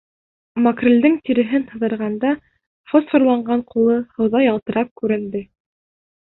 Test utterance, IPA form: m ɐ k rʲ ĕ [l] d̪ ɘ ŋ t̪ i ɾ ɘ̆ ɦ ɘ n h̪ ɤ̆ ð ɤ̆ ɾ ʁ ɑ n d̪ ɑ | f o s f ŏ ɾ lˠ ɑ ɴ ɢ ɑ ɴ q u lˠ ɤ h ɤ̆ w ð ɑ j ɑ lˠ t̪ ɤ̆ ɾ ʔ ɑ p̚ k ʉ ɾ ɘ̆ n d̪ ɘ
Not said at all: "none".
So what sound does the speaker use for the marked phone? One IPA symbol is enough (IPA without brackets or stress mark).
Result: l